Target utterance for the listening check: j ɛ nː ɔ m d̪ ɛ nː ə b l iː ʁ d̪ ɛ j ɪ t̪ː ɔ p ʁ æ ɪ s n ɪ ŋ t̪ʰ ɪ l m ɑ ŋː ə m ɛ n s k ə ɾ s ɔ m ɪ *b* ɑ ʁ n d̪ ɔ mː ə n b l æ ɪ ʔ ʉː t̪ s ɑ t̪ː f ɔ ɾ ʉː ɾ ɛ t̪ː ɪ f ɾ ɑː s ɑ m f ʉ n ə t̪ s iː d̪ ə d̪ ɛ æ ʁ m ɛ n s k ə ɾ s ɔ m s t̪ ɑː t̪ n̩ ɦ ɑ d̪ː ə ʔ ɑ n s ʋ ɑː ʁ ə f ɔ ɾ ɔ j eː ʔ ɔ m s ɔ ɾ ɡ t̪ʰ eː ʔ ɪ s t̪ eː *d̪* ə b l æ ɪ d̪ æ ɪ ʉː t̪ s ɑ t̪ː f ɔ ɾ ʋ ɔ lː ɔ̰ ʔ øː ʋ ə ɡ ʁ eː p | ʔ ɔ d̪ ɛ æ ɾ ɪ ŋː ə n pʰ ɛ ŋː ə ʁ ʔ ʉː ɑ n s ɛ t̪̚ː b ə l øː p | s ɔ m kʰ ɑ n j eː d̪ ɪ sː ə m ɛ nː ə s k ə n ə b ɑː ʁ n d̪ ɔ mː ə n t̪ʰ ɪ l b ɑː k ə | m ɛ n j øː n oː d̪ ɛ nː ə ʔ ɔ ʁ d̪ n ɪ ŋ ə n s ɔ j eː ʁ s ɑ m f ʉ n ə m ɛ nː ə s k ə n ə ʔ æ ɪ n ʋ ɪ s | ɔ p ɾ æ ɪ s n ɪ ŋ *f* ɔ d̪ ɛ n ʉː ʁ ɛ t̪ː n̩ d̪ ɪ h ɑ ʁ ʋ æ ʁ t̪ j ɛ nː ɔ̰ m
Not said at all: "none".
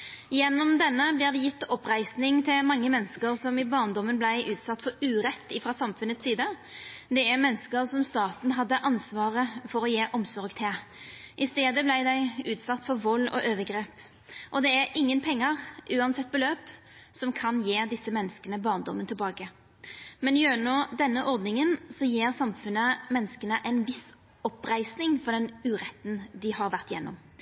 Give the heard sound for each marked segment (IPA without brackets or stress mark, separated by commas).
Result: b, d̪, f